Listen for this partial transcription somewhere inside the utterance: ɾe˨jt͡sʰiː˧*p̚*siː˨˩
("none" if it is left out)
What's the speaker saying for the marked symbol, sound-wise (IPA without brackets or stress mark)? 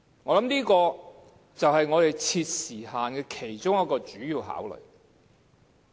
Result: t̚